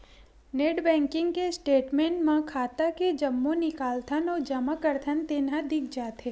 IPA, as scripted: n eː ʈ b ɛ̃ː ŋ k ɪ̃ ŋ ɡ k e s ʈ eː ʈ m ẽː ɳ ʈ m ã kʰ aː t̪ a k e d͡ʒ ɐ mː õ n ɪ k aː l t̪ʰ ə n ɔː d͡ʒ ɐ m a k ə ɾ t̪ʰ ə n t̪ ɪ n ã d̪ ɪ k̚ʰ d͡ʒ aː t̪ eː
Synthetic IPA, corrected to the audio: n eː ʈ b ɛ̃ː ŋ k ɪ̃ ŋ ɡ k e s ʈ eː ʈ m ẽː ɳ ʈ m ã kʰ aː t̪ a k e d͡ʒ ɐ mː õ n ɪ k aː l t̪ʰ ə n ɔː d͡ʒ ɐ m a k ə ɾ t̪ʰ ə n t̪ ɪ n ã d̪ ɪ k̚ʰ d͡ʒ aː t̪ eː